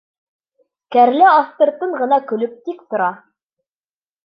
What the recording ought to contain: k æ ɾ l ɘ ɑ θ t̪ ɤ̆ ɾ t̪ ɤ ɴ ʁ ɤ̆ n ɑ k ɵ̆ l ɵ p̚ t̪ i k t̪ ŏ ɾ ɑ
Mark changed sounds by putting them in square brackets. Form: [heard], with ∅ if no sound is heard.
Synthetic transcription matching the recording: k æ ɾ l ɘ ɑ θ t̪ ɤ̆ ɾ t̪ ɤ ɴ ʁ ɤ̆ n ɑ k ɵ̆ l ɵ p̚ t̪ i k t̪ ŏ ɾ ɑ